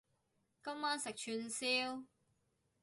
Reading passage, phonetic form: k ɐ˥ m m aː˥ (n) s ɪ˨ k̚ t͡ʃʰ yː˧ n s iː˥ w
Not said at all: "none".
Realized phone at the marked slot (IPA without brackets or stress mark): n